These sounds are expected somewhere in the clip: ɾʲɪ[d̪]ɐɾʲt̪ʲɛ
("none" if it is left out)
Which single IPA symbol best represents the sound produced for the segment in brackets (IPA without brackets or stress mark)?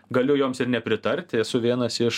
t̪